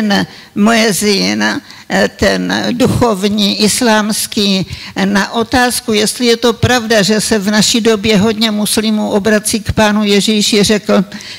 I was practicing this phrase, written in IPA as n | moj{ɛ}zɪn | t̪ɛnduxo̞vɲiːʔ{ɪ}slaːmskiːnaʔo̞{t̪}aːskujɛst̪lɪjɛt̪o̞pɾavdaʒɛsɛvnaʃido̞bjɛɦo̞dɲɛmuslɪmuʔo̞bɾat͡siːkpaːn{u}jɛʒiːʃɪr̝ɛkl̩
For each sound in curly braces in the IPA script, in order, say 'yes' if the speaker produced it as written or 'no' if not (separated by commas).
yes, yes, yes, yes